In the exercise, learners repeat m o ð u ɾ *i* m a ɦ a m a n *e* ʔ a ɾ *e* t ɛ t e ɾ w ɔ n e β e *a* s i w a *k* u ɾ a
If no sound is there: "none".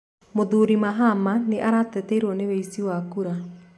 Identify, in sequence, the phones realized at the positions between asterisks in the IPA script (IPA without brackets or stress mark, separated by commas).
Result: i, e, a, i, k